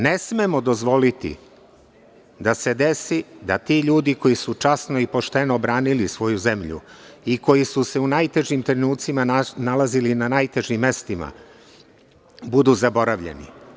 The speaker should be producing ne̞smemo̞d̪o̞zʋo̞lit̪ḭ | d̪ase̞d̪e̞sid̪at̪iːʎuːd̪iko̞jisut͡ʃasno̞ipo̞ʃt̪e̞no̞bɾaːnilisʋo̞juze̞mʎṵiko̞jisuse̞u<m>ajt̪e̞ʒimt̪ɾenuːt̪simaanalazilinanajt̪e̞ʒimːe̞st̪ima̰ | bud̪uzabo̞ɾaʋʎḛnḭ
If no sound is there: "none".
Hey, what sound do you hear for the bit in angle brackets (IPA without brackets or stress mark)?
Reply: n